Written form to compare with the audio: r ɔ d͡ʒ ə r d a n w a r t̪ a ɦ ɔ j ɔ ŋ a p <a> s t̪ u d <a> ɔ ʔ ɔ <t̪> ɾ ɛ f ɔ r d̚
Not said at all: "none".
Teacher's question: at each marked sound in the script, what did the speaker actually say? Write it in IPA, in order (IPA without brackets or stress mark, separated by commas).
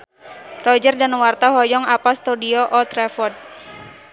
a, i, t̪